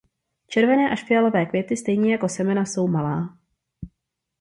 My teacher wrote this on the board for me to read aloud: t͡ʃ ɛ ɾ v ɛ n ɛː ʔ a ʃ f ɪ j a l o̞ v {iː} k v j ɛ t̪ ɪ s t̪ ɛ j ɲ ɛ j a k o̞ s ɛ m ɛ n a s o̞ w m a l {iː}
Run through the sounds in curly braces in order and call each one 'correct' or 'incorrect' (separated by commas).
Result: incorrect, incorrect